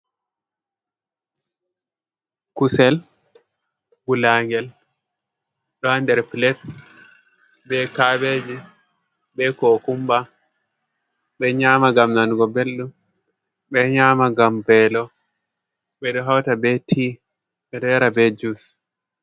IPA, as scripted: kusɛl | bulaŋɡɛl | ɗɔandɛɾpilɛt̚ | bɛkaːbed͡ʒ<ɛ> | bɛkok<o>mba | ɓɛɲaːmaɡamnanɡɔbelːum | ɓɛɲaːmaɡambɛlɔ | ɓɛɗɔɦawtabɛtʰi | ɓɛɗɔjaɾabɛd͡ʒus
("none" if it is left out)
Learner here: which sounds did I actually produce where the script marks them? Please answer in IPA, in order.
i, u

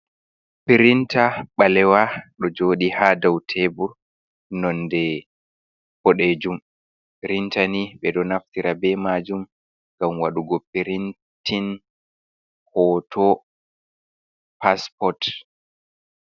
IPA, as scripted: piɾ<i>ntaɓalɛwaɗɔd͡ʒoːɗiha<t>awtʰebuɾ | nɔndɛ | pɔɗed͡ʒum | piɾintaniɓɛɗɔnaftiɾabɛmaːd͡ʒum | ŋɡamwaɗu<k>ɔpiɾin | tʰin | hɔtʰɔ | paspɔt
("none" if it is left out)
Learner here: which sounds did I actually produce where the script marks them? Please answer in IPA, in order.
i, d, ɡ

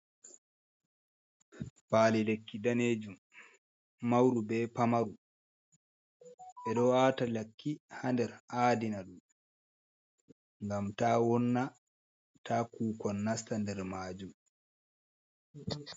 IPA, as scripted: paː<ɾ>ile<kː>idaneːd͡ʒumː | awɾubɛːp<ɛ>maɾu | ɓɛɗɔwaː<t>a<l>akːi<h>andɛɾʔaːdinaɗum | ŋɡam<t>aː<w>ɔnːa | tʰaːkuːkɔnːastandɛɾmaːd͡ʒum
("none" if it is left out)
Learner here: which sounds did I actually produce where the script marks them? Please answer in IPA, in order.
l, kː, a, t, l, h, t, w

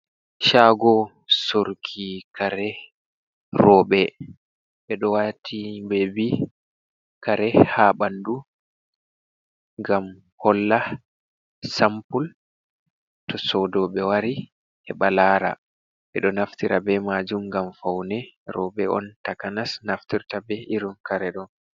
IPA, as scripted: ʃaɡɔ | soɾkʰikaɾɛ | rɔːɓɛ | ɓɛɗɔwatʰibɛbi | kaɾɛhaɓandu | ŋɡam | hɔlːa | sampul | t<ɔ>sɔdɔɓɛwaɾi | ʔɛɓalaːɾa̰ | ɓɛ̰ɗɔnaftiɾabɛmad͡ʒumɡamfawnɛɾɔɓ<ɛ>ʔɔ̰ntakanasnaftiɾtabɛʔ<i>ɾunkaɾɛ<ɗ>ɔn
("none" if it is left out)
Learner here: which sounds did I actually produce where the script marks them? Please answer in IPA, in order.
ɔ, ɛ, i, ɗ

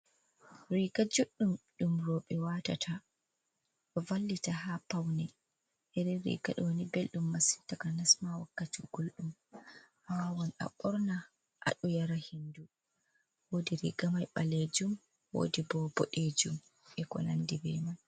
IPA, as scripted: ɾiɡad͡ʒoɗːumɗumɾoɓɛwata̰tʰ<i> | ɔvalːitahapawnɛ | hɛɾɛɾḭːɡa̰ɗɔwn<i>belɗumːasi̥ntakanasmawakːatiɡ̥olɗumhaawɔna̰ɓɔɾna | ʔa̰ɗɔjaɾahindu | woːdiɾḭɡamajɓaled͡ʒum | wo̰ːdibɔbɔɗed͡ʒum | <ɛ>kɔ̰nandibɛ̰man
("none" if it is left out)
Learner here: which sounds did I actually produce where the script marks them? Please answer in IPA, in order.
a, i, ɛ

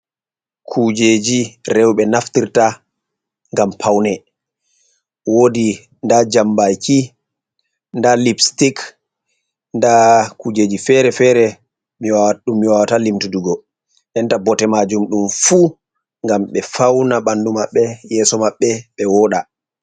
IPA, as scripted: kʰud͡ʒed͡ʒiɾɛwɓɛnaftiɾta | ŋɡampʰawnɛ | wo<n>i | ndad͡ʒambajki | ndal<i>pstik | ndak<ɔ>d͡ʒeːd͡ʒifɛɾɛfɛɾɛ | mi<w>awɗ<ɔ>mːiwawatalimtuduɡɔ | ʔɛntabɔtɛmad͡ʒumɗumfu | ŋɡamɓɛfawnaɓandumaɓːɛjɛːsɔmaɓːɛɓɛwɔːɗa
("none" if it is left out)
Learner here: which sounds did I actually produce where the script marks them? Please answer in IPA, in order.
d, i, u, w, u

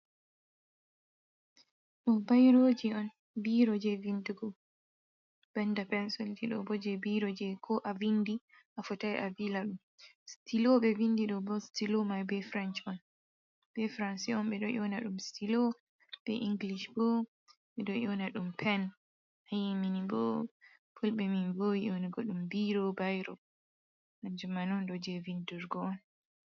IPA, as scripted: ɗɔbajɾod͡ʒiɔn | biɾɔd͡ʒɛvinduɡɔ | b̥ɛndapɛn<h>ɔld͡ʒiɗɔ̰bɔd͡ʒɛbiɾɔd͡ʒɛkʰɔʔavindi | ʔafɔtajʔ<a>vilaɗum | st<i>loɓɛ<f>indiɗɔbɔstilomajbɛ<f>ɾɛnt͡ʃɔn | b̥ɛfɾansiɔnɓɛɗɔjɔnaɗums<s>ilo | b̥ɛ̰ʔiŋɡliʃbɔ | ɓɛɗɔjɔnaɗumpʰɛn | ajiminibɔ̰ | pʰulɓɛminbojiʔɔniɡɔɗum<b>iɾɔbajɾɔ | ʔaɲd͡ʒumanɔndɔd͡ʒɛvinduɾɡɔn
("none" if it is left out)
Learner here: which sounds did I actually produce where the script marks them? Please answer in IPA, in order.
s, a, i, v, f, t, b

